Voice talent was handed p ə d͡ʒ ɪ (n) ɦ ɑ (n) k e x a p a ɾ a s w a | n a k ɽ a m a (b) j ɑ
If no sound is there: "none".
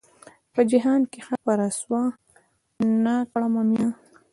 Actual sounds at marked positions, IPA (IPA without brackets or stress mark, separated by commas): none, n, m